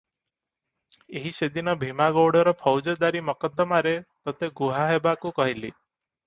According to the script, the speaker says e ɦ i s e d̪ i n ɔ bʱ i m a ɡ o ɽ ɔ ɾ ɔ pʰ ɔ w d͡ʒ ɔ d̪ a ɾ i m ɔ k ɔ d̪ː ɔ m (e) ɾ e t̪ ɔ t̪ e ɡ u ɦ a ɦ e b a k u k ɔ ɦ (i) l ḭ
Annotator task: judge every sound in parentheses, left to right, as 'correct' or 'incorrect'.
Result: incorrect: a, correct

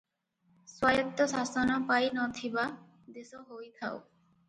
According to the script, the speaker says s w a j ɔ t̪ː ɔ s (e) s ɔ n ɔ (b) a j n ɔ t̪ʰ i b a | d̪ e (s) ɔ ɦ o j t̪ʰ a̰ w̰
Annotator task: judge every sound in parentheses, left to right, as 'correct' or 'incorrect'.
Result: incorrect: a, incorrect: p, correct

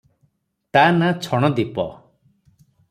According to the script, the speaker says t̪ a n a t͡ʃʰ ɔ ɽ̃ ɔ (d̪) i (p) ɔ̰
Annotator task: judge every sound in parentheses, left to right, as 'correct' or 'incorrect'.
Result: correct, correct

